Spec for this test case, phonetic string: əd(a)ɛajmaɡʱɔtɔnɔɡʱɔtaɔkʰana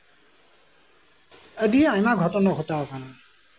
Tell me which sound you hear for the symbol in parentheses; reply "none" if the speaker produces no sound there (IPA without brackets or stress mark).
i